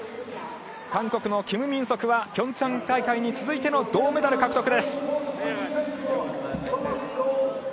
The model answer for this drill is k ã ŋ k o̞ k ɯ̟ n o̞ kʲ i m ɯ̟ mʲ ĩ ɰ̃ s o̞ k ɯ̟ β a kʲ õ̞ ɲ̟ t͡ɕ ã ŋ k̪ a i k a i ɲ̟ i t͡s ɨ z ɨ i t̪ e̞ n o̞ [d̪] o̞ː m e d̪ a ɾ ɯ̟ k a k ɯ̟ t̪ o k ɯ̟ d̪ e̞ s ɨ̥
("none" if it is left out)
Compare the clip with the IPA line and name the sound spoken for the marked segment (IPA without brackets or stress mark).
d̪